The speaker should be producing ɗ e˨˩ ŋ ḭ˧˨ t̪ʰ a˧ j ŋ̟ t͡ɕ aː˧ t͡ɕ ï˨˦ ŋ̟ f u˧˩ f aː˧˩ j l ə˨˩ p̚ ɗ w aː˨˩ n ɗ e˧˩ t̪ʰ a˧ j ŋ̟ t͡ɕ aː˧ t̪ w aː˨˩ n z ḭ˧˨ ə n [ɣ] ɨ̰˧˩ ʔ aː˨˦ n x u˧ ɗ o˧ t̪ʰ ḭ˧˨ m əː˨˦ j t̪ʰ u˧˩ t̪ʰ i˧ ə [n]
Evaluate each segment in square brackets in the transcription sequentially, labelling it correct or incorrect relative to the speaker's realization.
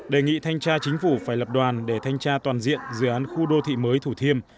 incorrect: z, incorrect: m

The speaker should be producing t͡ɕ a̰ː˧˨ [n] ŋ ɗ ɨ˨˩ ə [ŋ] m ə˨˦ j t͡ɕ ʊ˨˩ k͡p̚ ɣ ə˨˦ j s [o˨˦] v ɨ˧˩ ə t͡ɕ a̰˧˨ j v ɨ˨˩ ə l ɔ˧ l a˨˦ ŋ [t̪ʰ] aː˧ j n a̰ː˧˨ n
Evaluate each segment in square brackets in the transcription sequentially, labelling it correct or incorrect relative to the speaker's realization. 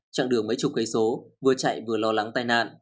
incorrect: none, correct, correct, incorrect: t̪

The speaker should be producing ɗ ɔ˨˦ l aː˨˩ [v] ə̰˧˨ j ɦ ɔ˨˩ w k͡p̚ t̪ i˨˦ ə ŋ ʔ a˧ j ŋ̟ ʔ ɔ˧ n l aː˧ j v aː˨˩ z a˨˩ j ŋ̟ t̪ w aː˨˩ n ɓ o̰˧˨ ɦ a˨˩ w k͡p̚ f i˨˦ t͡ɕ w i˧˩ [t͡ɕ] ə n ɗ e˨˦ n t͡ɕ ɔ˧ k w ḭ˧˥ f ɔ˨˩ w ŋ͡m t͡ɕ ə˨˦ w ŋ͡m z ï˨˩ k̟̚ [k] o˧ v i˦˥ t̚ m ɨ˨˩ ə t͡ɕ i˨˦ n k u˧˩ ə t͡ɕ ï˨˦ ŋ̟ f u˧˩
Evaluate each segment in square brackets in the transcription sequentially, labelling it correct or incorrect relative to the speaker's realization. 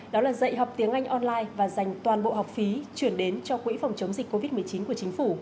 incorrect: z, incorrect: none, correct

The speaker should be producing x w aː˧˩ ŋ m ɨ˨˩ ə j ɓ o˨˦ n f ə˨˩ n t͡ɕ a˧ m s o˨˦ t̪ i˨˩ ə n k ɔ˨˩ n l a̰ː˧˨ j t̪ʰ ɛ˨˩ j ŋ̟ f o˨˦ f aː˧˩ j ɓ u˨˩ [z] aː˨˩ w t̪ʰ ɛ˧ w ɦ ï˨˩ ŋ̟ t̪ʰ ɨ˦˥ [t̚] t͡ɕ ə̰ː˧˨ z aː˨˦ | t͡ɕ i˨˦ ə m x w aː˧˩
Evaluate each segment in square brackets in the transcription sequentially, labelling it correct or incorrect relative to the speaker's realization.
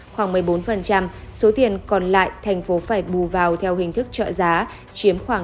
incorrect: v, incorrect: k̚

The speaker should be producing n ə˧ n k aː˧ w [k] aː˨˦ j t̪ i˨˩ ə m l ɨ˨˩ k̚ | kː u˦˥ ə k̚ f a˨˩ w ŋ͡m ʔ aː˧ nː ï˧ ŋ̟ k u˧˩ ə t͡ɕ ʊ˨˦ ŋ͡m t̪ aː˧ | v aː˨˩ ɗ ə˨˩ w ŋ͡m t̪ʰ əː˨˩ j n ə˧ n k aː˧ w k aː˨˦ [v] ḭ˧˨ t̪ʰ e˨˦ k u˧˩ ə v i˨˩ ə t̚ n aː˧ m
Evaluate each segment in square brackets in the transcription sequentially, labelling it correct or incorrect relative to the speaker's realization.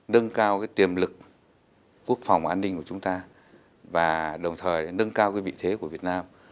correct, correct

